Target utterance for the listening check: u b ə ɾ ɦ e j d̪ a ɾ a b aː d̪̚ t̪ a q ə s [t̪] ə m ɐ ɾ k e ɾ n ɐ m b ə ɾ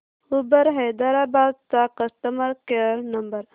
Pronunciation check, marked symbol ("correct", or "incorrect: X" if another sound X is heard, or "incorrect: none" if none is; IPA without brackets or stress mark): correct